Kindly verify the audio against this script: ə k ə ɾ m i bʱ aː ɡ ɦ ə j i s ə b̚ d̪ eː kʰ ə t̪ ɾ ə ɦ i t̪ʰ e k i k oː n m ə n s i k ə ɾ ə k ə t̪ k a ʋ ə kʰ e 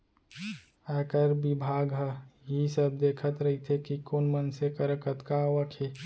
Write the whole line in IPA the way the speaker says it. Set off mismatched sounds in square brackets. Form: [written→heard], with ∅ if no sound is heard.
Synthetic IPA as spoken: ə k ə ɾ [m→b] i bʱ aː ɡ ɦ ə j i s ə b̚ d̪ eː kʰ ə t̪ ɾ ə ɦ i t̪ʰ e k i k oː n m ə n s [i→e] k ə ɾ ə k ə t̪ k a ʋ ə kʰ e